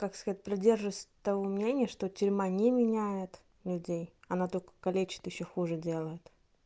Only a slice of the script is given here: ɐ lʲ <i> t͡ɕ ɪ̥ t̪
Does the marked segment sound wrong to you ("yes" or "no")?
yes